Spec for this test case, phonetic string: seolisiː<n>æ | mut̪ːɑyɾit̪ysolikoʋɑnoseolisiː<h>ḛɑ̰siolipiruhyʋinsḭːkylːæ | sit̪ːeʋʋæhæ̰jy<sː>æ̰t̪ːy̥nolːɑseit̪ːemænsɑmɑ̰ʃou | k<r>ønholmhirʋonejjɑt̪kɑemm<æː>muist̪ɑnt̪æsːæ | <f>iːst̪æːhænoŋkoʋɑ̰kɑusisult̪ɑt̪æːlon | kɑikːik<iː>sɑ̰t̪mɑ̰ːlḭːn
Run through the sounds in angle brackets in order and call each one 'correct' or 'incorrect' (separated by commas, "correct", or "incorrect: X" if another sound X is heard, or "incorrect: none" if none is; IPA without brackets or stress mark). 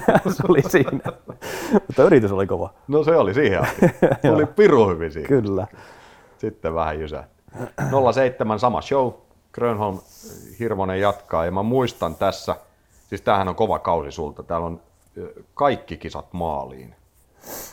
correct, correct, incorrect: s, correct, incorrect: æ, incorrect: s, incorrect: i